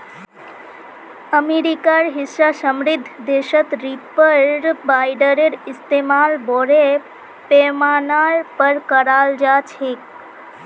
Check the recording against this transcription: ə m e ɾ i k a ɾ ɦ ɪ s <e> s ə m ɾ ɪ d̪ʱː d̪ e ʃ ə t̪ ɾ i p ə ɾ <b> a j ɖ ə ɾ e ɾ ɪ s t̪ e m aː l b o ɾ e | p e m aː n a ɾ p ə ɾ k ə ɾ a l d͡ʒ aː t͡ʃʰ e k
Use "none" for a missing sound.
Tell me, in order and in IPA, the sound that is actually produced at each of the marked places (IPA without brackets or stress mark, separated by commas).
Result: a, b